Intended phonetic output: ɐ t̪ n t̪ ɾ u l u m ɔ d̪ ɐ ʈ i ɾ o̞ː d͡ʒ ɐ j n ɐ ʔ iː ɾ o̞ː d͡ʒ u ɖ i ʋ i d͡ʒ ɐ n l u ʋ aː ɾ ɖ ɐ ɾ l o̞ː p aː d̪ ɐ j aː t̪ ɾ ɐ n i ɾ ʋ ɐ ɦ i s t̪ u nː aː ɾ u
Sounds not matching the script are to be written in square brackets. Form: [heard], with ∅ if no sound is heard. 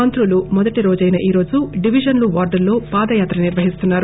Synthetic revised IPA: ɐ [∅] n t̪ ɾ u l u m ɔ d̪ ɐ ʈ i ɾ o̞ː d͡ʒ ɐ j n ɐ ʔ iː ɾ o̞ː d͡ʒ u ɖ i ʋ i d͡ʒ ɐ n l u ʋ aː ɾ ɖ ɐ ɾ l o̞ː p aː d̪ ɐ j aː t̪ ɾ ɐ n i ɾ ʋ ɐ ɦ i s t̪ u nː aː ɾ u